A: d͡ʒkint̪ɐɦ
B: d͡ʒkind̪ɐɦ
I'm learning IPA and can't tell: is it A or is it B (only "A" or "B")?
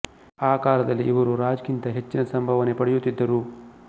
A